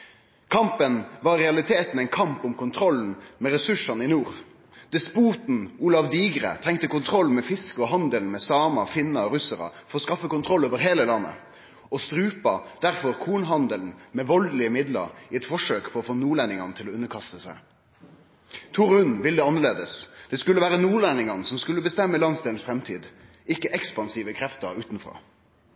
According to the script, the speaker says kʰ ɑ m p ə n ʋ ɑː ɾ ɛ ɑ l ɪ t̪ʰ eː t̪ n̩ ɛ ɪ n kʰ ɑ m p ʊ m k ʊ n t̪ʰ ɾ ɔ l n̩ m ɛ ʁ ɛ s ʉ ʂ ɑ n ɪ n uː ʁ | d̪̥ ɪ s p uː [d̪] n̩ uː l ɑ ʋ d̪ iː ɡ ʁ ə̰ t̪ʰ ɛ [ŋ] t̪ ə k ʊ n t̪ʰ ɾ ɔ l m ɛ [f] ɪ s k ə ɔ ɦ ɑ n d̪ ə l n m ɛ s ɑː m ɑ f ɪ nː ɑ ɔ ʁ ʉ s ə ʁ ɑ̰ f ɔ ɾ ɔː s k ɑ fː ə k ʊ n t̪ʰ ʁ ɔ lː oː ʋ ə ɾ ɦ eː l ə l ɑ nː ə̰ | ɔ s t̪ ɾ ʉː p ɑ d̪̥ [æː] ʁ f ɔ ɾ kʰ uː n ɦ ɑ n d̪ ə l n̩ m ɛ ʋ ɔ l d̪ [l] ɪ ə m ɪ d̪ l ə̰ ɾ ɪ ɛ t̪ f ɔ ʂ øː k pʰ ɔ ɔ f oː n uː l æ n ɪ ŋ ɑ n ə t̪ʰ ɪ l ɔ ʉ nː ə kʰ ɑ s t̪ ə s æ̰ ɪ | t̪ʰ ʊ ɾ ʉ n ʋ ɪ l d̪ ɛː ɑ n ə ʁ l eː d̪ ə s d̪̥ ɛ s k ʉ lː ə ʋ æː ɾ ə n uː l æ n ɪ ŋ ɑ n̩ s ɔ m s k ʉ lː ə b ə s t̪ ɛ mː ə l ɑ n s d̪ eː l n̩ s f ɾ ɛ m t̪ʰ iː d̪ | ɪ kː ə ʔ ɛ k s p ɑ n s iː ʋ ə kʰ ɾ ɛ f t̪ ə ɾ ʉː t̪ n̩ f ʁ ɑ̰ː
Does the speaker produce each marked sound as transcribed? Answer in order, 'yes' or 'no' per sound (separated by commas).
no, yes, yes, no, yes